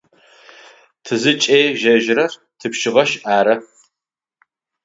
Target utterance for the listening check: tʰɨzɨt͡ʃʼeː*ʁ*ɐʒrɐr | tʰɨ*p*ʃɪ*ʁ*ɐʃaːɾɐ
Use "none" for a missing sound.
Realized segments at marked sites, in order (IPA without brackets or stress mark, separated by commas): ʒ, p, ʁ